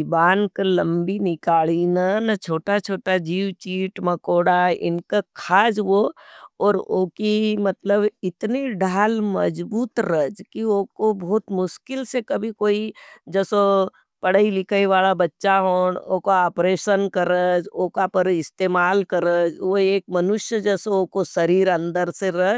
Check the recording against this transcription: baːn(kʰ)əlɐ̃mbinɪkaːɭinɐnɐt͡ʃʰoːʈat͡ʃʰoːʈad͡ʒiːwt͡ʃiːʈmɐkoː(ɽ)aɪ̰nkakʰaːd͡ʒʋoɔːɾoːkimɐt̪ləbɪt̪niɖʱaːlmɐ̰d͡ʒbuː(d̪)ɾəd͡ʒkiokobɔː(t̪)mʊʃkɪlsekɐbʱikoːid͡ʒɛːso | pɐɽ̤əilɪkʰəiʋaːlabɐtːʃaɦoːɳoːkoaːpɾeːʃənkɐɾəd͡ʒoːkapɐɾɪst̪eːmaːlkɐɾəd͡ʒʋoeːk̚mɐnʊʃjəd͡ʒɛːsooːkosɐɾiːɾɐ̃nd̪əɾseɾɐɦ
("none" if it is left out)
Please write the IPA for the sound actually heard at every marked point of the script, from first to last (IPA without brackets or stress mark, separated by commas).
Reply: k, ɽ, t̪, t̪